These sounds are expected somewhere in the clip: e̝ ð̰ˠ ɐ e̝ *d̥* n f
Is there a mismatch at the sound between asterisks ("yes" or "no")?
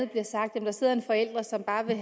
yes